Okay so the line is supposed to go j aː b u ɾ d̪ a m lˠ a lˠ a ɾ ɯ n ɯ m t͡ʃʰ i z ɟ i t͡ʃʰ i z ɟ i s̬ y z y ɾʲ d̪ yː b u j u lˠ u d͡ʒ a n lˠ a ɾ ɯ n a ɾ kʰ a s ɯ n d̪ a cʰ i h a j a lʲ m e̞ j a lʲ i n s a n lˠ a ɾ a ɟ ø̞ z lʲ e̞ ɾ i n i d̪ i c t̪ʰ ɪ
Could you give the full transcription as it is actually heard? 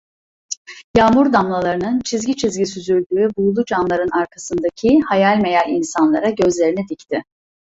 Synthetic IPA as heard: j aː m u ɾ d̪ a m lˠ a lˠ a ɾ ɯ n ɯ n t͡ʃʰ i z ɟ i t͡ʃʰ i z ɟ i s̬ y z y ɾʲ d̪ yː b u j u lˠ u d͡ʒ a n lˠ a ɾ ɯ n a ɾ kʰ a s ɯ n d̪ a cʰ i h a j a lʲ m e̞ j a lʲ i n s a n lˠ a ɾ a ɟ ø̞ z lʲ e̞ ɾ i n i d̪ i c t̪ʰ ɪ